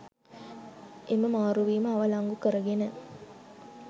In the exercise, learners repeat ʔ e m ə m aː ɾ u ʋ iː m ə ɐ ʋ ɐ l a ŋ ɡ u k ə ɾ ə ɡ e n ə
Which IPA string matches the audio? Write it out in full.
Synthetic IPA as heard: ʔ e m ə m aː ɾ u ʋ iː m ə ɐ ʋ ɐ l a ŋ ɡ u k ə ɾ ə ɡ e n ə